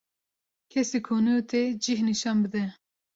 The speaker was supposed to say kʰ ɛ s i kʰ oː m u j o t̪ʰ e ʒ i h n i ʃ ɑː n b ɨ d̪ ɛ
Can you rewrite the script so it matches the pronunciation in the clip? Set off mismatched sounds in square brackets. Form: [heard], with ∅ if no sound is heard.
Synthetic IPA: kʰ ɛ s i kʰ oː [n] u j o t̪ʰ e [d͡ʒ] i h n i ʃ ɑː n b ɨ d̪ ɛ